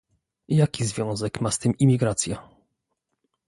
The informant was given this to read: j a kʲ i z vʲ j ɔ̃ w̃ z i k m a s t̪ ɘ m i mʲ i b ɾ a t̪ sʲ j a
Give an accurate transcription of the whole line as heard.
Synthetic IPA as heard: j a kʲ i z vʲ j ɔ̃ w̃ z ɛ k m a s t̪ ɘ m i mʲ i ɡ ɾ a t̪ sʲ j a